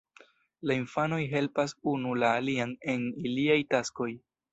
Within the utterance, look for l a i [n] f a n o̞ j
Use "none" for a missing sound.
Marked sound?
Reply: n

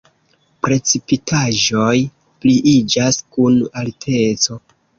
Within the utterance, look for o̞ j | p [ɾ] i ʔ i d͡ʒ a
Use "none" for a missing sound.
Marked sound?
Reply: l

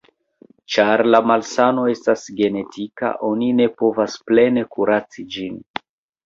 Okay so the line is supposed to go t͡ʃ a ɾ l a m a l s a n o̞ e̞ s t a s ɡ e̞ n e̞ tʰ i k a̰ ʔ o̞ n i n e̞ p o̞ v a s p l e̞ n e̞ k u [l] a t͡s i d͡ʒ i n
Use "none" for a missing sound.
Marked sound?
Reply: ɾ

